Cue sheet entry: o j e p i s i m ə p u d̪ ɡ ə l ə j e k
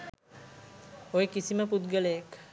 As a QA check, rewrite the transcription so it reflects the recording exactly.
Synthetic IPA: o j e k i s i m ə p u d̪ ɡ ə l ə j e k